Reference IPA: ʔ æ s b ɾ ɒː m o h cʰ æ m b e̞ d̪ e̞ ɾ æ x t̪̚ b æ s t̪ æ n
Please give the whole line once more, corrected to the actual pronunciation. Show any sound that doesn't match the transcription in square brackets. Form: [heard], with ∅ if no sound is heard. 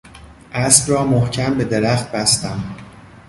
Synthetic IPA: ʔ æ s b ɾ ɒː m o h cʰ æ m b e̞ d̪ e̞ ɾ æ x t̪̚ b æ s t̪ æ [m]